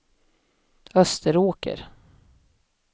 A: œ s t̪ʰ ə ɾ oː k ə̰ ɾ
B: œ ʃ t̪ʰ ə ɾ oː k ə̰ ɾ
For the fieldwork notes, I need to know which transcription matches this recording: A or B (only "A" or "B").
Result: A